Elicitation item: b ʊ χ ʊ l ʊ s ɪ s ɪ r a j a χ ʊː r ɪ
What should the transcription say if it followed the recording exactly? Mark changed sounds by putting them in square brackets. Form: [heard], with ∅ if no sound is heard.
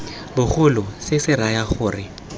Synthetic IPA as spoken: b ʊ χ ʊ l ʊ s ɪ s ɪ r a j a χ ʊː r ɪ